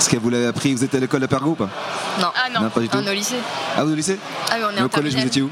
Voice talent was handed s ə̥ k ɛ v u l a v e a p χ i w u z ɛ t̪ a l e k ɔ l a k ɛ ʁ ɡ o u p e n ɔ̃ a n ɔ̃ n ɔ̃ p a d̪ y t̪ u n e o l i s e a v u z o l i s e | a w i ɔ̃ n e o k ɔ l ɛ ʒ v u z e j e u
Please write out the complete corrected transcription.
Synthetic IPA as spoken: s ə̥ k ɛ v u l a v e a p χ i v u z ɛ t̪ a l e k ɔ l a p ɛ ʁ ɡ o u p a n ɔ̃ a n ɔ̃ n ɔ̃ p a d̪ y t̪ u n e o l i s e a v u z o l i s e | a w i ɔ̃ n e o k ɔ l ɛ ʒ v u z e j e u